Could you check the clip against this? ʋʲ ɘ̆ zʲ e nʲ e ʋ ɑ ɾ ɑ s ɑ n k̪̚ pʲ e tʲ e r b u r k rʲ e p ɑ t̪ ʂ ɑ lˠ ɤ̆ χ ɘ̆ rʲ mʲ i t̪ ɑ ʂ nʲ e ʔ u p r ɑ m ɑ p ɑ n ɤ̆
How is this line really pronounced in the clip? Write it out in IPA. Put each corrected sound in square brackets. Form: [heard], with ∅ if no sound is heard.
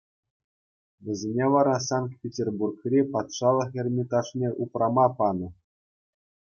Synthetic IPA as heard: ʋʲ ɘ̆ zʲ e nʲ e ʋ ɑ ɾ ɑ s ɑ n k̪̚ pʲ e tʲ e r b u r k rʲ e p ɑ t̪ ʂ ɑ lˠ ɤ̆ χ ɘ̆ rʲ mʲ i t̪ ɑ ʂ nʲ e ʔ u p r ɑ m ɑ p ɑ n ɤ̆

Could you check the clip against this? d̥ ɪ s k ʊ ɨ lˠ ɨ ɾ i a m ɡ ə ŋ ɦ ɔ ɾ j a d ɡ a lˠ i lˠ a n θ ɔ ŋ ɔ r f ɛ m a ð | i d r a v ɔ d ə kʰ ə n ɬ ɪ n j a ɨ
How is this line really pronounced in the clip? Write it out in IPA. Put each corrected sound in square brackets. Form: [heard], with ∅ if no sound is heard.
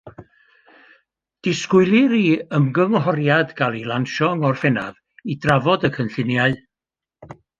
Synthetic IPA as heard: d̥ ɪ s k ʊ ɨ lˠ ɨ ɾ i [ə] m ɡ ə ŋ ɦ ɔ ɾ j a d ɡ a lˠ i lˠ a n [ʃ] ɔ ŋ ɔ r f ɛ [n] a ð | i d r a v ɔ d ə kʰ ə n ɬ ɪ n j a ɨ

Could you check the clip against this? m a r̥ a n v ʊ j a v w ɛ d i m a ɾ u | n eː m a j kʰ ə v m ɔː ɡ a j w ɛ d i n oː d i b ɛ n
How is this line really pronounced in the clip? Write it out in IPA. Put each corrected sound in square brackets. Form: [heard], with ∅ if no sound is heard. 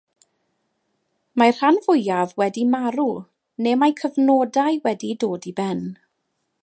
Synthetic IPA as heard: m a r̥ a n v ʊ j a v w ɛ d i m a ɾ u | n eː m a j kʰ ə v [n] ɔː [d] a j w ɛ d i [d] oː d i b ɛ n

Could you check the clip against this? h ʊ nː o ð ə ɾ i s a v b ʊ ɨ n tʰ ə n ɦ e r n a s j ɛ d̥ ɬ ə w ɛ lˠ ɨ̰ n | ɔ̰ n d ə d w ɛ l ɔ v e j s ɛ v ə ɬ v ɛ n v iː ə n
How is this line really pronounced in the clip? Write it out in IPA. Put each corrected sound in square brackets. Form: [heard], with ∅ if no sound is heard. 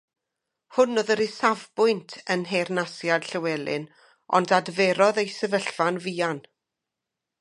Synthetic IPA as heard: h ʊ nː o ð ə ɾ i s a v b ʊ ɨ n tʰ ə n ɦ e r n a s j [a] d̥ ɬ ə w ɛ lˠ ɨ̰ n | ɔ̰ n d [a] d [v] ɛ [ɾ] ɔ [ð] e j s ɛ v ə ɬ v [a] n v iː [a] n

